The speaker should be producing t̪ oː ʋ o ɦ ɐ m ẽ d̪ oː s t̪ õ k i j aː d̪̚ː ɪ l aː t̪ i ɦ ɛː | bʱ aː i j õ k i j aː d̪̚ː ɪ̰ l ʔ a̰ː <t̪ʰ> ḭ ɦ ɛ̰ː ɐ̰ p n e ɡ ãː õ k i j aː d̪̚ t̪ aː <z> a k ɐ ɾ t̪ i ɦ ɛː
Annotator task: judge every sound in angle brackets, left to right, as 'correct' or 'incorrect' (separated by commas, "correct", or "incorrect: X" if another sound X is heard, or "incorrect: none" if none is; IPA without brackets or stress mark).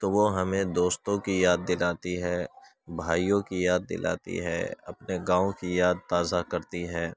incorrect: t̪, correct